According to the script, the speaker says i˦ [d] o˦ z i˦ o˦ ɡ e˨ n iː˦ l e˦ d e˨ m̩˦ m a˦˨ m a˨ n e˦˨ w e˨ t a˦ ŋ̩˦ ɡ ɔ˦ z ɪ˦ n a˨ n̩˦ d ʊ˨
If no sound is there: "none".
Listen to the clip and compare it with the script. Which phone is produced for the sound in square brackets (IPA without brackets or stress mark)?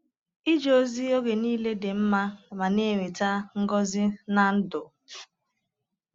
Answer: d͡ʒ